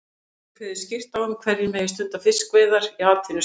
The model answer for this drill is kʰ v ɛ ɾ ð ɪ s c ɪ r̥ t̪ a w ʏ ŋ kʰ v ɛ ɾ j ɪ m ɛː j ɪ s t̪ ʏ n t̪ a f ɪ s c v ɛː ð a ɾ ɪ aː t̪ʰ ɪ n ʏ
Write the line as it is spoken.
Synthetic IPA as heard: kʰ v ɛ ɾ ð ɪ s c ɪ r̥ t̪ a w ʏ m kʰ v ɛ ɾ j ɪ m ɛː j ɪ s t̪ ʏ n t̪ a f ɪ s k v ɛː ð a ɾ i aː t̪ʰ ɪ n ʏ